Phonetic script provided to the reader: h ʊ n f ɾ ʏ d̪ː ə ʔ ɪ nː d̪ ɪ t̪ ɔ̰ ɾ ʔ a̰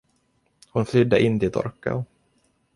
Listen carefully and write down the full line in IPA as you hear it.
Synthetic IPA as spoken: h ʊ n f l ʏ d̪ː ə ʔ ɪ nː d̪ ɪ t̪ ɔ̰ ɾ k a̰

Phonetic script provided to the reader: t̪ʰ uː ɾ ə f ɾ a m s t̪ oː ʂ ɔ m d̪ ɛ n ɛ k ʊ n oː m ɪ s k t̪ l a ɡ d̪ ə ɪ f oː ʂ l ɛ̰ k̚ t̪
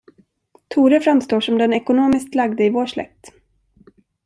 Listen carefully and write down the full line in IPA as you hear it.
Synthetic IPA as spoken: t̪ʰ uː ɾ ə f ɾ a m s t̪ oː ʂ ɔ m d̪ ɛ n ɛ k ʊ n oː m ɪ s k t̪ l a ɡ d̪ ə ɪ v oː ʂ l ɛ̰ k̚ t̪

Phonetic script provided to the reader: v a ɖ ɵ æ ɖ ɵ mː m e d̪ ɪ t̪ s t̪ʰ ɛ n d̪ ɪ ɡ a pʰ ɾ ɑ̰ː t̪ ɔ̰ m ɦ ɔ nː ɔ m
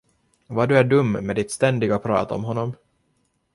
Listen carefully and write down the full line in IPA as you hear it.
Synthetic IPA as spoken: v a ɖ ɵ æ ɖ ɵ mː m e d̪ ɪ t̪ s t̪ ɛ n d̪ ɪ ɡ a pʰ ɾ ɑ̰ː t̪ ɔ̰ m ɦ ɔ nː ɔ m

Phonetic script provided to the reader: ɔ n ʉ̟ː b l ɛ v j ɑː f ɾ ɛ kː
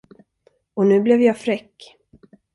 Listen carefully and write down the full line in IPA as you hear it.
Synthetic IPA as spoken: ɔ n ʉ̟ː b l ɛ v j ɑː f ɾ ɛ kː

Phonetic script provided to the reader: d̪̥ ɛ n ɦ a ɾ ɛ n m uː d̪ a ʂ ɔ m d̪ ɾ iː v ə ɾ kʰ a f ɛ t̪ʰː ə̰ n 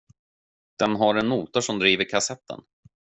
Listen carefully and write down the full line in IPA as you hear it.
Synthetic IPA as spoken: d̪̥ ɛ n ɦ a ɾ ɛ n m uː t̪ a ʂ ɔ m d̪ ɾ iː v ə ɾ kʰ a s ɛ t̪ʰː ə̰ n

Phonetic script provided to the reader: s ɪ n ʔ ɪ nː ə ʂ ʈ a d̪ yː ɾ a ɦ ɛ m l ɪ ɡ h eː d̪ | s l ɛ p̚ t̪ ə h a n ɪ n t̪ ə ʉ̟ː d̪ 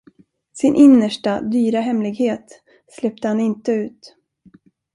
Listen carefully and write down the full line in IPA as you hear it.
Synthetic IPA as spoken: s ɪ n ʔ ɪ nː ə ʂ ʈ a d̪ yː ɾ a ɦ ɛ m l ɪ ɡ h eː t̪ | s l ɛ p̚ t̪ ə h a n ɪ n t̪ ə ʉ̟ː t̪

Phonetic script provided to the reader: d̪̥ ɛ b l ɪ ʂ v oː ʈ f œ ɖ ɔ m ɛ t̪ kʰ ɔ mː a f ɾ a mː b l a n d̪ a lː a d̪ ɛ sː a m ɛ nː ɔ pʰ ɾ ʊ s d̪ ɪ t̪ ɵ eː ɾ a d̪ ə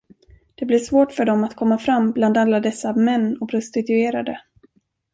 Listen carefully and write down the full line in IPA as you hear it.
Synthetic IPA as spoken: d̪̥ ɛ b l ɪ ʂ v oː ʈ f œ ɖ ɔ m a t̪ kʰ ɔ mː a f ɾ a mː b l a n d̪ a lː a d̪ ɛ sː a m ɛ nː ɔ pʰ ɾ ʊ s t̪ ɪ t̪ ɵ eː ɾ a d̪ ə

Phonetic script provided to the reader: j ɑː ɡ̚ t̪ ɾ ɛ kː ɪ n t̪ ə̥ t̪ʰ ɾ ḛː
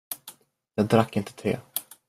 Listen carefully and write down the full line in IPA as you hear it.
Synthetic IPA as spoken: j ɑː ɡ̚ d̪ ɾ a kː ɪ n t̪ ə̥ t̪ʰ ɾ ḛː

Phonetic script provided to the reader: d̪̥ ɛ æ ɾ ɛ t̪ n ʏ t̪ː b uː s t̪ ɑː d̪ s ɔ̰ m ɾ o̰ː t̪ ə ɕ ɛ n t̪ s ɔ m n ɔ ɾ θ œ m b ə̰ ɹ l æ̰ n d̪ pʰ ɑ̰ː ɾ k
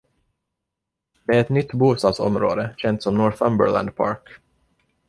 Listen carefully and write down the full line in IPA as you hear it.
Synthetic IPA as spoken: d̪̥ ɛ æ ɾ ɛ t̪ n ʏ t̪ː b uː s t̪ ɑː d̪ s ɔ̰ m ɾ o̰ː d̪ ə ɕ ɛ n t̪ s ɔ m n ɔ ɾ θ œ m b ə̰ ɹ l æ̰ n d̪ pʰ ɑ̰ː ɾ k

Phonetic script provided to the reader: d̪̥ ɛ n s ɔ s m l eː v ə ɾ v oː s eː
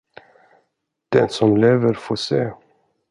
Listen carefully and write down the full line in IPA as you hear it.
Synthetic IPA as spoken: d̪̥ ɛ n s ɔ m l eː v ə ɾ f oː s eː

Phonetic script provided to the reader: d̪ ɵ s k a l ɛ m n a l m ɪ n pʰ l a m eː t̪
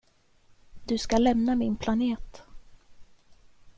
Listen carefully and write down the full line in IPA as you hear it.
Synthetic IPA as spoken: d̪ ɵ s k a l ɛ m n a m ɪ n pʰ l a n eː t̪

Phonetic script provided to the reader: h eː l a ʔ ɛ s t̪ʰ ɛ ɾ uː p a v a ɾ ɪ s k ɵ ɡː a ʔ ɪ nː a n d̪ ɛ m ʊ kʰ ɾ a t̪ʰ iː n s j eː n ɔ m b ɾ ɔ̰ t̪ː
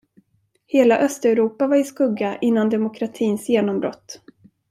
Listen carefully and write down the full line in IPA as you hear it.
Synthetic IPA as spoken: h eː l a ʔ œ s t̪ ɛ ɾ uː p a v a ɾ ɪ s k ɵ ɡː a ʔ ɪ nː a n d̪ ɛ m ʊ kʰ ɾ a t̪ʰ iː n s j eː n ɔ m b ɾ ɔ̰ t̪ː

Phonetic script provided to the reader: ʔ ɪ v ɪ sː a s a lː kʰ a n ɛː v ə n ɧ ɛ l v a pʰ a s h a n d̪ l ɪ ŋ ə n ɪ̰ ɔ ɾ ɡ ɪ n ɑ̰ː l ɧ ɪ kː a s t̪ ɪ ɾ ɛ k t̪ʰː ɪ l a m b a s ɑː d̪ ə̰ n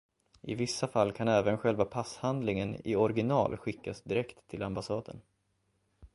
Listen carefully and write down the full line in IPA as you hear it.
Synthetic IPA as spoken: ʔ ɪ v ɪ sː a f a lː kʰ a n ɛː v ə n ɧ ɛ l v a pʰ a s h a n d̪ l ɪ ŋ ə n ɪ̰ ɔ ɾ ɡ ɪ n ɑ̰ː l ɧ ɪ kː a s d̪ ɪ ɾ ɛ k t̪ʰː ɪ l a m b a s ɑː d̪ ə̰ n

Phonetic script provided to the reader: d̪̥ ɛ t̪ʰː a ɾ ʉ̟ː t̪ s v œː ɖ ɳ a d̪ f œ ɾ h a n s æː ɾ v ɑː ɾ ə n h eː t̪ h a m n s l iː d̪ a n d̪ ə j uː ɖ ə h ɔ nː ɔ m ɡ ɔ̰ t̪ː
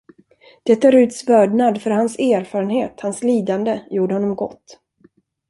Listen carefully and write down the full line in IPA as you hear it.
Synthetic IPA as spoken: d̪̥ ɛ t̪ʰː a ɾ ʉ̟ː t̪ s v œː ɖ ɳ a d̪ f œ ɾ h a n s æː ɾ f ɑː ɾ ə n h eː t̪ h a n s l iː d̪ a n d̪ ə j uː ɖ ə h ɔ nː ɔ m ɡ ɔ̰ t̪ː

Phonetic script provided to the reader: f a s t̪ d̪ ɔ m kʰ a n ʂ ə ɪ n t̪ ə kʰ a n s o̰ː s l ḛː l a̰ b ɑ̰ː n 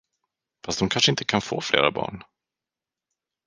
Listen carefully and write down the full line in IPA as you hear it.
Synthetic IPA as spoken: f a s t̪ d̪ ɔ m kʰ a n ʂ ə ɪ n t̪ ə kʰ a n f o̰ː f l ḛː ɾ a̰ b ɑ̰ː ɳ

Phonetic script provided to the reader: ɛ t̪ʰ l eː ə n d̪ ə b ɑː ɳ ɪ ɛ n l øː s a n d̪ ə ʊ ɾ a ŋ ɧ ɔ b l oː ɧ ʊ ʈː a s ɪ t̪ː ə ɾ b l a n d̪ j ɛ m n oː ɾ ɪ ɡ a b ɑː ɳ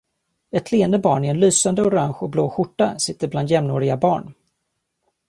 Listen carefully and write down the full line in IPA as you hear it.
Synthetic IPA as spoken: ɛ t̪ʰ l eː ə n d̪ ə b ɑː ɳ ɪ ɛ n l yː s a n d̪ ə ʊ ɾ a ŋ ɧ ɔ b l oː ɧ ʊ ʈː a s ɪ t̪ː ə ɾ b l a n d̪ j ɛ m n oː ɾ ɪ ɡ a b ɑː ɳ

